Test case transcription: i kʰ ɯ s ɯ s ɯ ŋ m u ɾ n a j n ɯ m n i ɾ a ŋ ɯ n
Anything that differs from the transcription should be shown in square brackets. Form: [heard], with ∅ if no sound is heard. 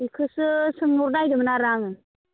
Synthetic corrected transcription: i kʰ ɯ s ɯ s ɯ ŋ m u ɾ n a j [d] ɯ m n [a] ɾ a ŋ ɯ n

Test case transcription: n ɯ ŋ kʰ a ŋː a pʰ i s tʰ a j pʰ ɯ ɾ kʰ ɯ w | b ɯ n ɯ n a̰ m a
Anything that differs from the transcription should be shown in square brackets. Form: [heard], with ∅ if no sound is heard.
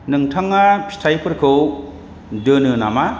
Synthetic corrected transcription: n ɯ ŋ [tʰ] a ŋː a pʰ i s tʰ a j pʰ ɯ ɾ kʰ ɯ w | [d] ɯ n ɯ n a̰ m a

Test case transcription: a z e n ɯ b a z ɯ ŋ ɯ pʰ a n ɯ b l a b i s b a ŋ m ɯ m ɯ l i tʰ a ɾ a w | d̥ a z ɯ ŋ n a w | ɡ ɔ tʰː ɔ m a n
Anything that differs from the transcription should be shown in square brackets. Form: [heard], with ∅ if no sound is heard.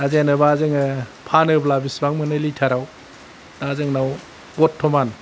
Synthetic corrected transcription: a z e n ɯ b a z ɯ ŋ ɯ pʰ a n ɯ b l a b i s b a ŋ m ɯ [n] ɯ l i tʰ a ɾ a w | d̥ a z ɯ ŋ n a w | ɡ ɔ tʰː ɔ m a n

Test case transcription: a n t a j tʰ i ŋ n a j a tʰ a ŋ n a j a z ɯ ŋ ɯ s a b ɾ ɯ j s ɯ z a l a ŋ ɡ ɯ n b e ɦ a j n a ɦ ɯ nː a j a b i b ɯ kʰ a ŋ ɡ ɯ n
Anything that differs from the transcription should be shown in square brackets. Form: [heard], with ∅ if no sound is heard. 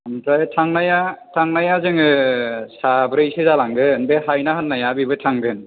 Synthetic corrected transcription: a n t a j tʰ [a] ŋ n a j a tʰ a ŋ n a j a z ɯ ŋ ɯ s a b ɾ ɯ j s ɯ z a l a ŋ ɡ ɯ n b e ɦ a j n a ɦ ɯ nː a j a b i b ɯ [tʰ] a ŋ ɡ ɯ n

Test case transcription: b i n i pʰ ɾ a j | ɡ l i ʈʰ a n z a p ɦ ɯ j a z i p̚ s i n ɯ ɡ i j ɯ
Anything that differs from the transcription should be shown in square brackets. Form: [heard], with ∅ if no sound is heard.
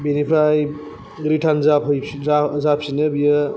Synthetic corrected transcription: b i n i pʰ ɾ a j | ɡ [ɾ] i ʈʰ a n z a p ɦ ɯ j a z [a] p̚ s i n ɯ [b] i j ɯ

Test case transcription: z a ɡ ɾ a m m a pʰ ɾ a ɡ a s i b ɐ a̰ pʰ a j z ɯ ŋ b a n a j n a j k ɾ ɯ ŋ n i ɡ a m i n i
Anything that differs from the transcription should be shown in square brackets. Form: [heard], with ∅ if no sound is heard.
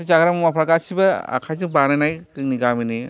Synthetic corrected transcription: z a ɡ ɾ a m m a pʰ ɾ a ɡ a s i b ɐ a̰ [kʰ] a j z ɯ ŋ b a n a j n a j k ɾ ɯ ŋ n i ɡ a m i n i

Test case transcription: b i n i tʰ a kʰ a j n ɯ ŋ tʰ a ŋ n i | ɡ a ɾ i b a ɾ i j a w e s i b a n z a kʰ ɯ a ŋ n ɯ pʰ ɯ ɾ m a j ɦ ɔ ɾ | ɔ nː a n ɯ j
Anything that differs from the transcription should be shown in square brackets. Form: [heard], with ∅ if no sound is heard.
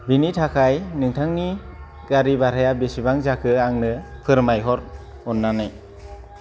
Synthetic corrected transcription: b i n i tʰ a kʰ a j n ɯ ŋ tʰ a ŋ n i | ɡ a ɾ i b a ɾ [a] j a [b] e s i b a [ŋ] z a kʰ ɯ a ŋ n ɯ pʰ ɯ ɾ m a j ɦ ɔ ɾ | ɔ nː a n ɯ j

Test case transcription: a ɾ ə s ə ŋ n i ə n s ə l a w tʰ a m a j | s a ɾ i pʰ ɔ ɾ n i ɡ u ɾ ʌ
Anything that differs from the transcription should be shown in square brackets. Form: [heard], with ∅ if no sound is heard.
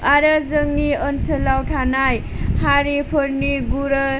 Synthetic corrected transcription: a ɾ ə [z] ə ŋ n i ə n s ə l a w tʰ a [n] a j | [h] a ɾ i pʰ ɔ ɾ n i ɡ u ɾ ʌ

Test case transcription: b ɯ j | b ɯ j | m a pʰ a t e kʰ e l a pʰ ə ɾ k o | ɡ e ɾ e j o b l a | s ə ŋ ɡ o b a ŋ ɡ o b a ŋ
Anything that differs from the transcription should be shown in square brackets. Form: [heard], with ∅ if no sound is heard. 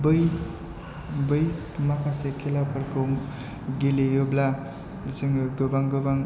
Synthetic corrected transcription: b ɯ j | b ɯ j | m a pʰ a [s] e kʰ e l a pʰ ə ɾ k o | ɡ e [l] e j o b l a | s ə ŋ ɡ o b a ŋ ɡ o b a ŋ

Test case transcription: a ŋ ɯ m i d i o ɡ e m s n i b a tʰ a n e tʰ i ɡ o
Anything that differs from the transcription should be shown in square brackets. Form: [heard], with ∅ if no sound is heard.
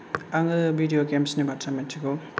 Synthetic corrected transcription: a ŋ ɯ [b] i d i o ɡ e m s n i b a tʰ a [m] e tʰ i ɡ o

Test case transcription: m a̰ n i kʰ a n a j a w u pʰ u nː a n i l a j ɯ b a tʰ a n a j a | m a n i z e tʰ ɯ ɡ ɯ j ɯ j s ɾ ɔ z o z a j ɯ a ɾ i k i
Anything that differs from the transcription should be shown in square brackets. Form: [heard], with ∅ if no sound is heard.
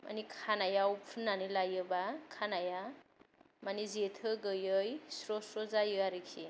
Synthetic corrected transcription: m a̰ n i kʰ a n a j a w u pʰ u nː a n i l a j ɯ b a [kʰ] a n a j a | m a n i z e tʰ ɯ ɡ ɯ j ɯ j s ɾ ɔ [s] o z a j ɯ a ɾ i [kʰ] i

